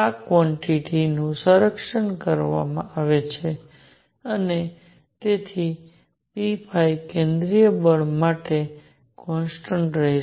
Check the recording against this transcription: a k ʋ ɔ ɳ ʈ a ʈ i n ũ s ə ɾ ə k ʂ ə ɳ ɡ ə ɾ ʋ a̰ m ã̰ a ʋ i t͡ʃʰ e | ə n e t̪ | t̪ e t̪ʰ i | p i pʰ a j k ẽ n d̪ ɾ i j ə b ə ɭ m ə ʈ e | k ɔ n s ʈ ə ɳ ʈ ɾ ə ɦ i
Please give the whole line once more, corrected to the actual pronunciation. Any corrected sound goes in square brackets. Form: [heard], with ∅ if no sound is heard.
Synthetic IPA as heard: a k ʋ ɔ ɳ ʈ [i] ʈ i n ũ s ə ɾ ə k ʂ ə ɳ [k] ə ɾ ʋ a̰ m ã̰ a ʋ [e] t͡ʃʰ e | ə n e [∅] | t̪ e t̪ʰ i | p i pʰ a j k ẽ n d̪ ɾ i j ə b ə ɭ m [a] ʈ e | k ɔ n s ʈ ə ɳ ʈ ɾ ə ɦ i